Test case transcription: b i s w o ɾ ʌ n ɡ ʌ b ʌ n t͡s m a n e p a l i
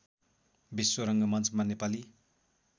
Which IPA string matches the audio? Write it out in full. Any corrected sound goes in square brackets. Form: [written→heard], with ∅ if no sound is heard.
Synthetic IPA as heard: b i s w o ɾ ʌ [n→ŋ] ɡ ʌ [b→m] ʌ n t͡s m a n e p a l i